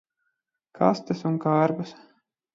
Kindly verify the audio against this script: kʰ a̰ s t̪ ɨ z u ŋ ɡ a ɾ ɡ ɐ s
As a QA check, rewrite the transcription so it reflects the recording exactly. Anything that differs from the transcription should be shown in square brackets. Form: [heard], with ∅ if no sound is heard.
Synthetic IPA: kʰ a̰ s t̪ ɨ [s] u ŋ [k] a ɾ [b] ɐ s